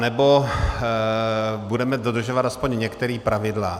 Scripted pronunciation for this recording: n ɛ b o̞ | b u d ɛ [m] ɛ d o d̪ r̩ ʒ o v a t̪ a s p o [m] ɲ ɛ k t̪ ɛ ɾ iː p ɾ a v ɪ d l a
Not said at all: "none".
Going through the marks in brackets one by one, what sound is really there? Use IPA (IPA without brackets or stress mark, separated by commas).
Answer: m, ɲ